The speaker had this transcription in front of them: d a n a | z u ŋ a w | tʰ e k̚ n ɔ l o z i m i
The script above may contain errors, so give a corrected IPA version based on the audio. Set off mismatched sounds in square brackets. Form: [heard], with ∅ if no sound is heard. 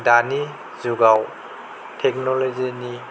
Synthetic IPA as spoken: d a n [i] | z u [ɡ] a w | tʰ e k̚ n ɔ l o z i [n] i